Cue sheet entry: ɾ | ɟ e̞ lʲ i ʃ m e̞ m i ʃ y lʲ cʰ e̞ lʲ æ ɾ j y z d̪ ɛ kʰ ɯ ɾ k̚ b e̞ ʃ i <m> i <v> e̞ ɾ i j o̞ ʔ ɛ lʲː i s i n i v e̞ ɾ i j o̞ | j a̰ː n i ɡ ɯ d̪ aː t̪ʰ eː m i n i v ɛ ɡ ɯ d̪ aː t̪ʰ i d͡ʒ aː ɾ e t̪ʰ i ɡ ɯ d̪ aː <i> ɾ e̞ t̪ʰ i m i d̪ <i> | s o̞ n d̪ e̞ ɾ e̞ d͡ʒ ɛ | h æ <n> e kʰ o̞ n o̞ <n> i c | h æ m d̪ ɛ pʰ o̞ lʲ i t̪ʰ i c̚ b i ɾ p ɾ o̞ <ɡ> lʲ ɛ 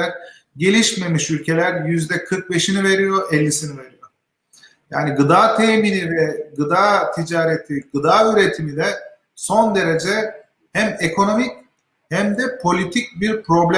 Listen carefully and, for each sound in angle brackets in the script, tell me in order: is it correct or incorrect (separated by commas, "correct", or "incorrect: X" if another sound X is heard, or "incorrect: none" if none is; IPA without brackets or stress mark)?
incorrect: n, correct, incorrect: y, incorrect: ɛ, incorrect: m, incorrect: m, incorrect: b